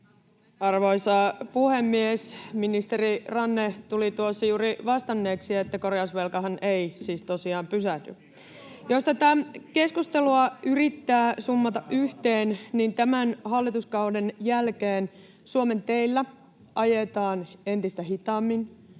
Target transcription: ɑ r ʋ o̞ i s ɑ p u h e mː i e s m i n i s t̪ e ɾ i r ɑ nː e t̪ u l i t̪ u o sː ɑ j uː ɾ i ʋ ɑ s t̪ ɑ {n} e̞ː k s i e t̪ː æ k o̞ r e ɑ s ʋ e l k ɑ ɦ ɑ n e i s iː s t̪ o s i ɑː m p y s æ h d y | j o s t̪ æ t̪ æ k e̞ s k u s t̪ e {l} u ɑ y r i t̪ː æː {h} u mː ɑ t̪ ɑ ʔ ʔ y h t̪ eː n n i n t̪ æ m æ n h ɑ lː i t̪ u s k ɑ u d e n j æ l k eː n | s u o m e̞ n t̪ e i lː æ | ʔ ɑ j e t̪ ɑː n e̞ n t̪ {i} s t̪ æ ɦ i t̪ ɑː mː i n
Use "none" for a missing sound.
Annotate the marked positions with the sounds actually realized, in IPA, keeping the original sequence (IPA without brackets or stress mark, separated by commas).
nː, l, s, i